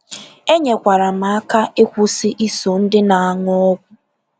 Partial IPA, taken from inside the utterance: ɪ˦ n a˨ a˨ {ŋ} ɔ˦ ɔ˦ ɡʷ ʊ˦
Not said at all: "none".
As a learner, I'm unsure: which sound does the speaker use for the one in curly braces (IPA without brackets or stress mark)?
ŋ